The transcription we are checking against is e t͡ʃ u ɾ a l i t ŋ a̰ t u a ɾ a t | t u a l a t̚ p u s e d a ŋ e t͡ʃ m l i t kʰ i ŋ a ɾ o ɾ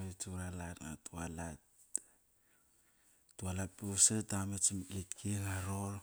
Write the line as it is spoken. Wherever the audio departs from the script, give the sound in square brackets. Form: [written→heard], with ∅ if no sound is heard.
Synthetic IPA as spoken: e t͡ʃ u ɾ a l [i→a] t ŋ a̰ t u a [ɾ→l] a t | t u a l a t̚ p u s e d a [ŋ→m] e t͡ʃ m l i t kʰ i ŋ a ɾ o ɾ